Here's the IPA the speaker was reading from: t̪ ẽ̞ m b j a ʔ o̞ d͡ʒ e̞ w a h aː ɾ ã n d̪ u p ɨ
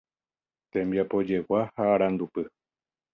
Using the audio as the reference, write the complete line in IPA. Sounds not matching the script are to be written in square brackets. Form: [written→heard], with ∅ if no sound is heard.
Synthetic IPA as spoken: t̪ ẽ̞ m b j a [ʔ→p] o̞ d͡ʒ e̞ w a h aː ɾ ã n d̪ u p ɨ